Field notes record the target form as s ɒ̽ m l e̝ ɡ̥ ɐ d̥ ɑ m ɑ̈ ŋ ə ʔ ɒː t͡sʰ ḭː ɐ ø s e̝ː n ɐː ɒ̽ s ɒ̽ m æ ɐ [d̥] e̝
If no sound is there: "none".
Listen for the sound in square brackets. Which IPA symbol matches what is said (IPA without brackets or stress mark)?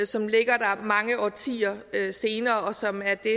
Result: d̥